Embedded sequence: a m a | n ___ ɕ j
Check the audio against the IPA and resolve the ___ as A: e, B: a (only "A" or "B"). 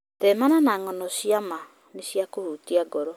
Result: A